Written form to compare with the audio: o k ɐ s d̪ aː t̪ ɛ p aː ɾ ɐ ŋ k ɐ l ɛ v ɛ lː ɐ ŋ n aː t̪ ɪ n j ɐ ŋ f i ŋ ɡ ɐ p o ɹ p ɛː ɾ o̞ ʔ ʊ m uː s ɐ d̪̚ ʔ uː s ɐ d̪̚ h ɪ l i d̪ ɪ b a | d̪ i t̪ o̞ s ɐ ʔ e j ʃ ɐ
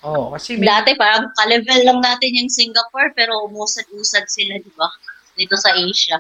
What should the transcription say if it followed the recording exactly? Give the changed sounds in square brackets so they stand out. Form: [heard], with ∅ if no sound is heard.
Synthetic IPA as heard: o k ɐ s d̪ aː t̪ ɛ p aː ɾ ɐ ŋ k ɐ l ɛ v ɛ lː ɐ ŋ n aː t̪ ɪ n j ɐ ŋ [s] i ŋ ɡ ɐ p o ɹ p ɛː ɾ o̞ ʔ ʊ m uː s ɐ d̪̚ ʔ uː s ɐ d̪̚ [s] ɪ l [a] d̪ ɪ b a | d̪ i t̪ o̞ s ɐ ʔ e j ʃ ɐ